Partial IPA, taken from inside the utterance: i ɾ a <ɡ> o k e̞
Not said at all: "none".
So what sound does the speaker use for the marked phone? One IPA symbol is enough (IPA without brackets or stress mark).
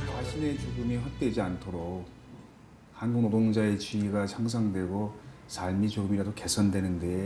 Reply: d